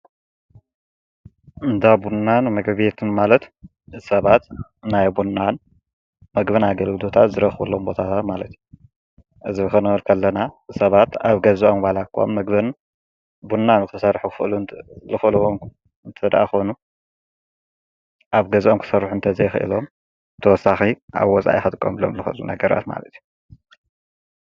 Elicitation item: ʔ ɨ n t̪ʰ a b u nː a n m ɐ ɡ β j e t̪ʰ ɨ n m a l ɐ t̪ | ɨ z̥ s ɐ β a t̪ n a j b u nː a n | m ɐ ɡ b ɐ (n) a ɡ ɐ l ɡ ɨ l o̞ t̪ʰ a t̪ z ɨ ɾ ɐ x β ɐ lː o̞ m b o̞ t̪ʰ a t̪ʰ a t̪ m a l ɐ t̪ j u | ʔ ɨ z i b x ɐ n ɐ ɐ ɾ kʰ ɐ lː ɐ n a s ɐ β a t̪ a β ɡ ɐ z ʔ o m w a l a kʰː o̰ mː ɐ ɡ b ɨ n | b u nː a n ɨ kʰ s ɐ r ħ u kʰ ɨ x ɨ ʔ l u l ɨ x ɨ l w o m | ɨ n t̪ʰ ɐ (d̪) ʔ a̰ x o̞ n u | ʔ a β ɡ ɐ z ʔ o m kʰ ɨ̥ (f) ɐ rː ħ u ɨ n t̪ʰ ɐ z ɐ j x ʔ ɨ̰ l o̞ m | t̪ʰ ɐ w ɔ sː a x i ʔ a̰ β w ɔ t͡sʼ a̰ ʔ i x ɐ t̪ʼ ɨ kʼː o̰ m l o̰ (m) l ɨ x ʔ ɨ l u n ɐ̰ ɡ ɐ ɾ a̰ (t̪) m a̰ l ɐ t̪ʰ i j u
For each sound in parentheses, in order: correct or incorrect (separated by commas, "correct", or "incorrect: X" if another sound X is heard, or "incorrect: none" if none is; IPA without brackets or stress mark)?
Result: correct, correct, incorrect: s, correct, correct